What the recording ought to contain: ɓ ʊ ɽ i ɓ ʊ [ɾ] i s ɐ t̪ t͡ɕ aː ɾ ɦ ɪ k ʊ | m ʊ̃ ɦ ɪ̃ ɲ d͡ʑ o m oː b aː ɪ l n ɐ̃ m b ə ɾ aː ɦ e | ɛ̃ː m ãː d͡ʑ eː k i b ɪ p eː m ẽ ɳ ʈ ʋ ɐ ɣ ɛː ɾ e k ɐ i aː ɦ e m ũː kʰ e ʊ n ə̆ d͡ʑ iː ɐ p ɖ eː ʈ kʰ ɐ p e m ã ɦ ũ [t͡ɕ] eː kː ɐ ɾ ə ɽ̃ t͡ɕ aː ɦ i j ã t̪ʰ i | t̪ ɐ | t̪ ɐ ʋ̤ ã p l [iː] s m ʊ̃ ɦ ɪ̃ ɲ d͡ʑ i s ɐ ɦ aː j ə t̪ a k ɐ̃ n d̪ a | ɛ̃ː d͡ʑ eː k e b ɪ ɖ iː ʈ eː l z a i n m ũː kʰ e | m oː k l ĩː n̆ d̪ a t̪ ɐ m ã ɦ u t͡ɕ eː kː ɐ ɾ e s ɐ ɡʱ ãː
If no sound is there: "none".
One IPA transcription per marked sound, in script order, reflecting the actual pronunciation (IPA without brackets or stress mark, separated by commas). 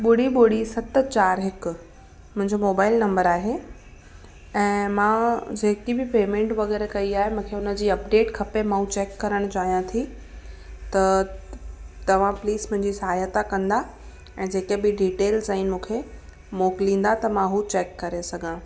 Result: ɽ, t͡ɕ, iː